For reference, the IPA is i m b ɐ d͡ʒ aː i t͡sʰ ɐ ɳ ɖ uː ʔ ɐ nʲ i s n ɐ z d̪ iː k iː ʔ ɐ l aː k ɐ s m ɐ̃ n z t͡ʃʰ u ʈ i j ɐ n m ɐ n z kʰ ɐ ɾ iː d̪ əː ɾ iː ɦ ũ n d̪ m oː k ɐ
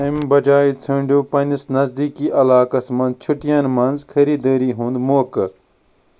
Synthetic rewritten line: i m b ɐ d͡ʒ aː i t͡sʰ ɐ ɳ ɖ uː p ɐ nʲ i s n ɐ z d̪ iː k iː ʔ ɐ l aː k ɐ s m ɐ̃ n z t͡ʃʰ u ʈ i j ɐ n m ɐ n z kʰ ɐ ɾ iː d̪ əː ɾ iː ɦ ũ n d̪ m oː k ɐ